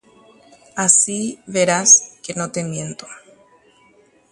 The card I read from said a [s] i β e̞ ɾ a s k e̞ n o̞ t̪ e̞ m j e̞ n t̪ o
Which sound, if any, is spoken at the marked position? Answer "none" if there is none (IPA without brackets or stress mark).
s